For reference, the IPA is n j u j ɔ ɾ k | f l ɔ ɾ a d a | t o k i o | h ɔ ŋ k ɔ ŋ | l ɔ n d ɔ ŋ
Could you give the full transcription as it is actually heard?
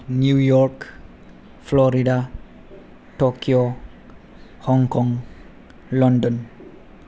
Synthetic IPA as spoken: n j u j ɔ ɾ k | f l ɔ ɾ i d a | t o k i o | h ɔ ŋ k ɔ ŋ | l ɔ n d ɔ n

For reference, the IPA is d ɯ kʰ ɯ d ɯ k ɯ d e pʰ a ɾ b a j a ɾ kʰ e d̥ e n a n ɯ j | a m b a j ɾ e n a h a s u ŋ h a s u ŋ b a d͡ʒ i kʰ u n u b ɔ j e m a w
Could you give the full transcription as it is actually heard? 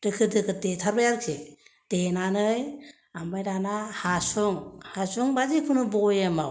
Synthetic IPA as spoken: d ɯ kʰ ɯ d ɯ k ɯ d e tʰ a ɾ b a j a ɾ kʰ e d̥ e n a n ɯ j | a m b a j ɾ a n a h a s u ŋ h a s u ŋ b a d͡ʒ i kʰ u n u b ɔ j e m a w

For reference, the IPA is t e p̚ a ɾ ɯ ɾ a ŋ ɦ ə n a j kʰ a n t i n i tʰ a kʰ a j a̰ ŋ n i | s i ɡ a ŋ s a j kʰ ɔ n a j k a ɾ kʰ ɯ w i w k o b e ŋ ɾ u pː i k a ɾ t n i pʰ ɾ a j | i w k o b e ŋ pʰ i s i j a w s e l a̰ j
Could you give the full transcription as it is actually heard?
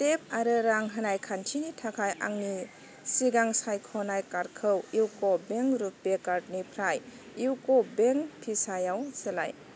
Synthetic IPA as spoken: t e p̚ a ɾ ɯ ɾ a ŋ ɦ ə n a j kʰ a n tʰ i n i tʰ a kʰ a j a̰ ŋ n i | s i ɡ a ŋ s a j kʰ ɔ n a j k a ɾ kʰ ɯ w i w k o b e ŋ ɾ u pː e k a ɾ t n i pʰ ɾ a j | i w k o b e ŋ pʰ i s a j a w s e l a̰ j

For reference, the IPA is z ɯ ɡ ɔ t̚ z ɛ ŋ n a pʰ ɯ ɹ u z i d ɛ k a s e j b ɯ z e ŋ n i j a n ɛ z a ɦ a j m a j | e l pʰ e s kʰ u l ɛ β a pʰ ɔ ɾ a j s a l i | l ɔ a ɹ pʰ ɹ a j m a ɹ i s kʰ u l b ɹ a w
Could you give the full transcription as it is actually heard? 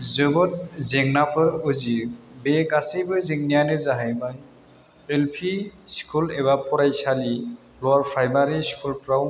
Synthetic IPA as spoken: z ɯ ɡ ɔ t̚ z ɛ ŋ n a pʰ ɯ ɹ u z i b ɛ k a s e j b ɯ z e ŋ n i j a n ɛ z a ɦ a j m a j | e l pʰ i s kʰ u l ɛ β a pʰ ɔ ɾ a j s a l i | l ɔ a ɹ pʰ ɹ a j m a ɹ i s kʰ u l p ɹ a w

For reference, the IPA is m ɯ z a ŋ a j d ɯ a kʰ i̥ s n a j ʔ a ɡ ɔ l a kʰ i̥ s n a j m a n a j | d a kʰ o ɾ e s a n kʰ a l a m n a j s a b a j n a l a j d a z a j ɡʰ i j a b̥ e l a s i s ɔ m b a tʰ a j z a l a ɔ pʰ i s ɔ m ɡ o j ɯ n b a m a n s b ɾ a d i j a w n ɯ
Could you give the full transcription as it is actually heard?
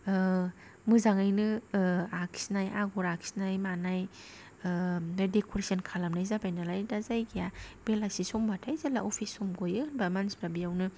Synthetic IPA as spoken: m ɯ z a ŋ a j n ɯ a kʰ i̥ s n a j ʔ a ɡ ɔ ɾ a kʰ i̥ s n a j m a n a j | d e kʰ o ɾ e s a n kʰ a l a m n a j z a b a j n a l a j d a z a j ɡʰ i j a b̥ e l a s i s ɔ m b a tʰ a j z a l a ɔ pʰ i s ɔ m ɡ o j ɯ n b a m a n s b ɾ a b i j a w n ɯ

